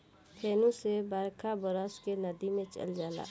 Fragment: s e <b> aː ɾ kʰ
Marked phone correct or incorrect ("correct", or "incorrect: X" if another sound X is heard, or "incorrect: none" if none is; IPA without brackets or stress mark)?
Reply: correct